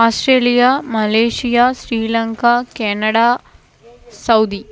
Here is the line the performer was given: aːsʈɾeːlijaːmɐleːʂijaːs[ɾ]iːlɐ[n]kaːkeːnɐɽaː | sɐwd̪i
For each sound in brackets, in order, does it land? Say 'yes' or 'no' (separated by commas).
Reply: yes, no